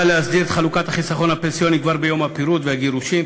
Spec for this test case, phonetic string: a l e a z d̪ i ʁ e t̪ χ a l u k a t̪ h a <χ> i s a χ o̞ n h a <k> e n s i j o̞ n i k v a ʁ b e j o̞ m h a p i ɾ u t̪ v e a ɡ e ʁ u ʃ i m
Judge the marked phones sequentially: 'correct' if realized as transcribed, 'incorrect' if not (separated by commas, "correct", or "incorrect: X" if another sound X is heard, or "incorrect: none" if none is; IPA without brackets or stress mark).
correct, incorrect: p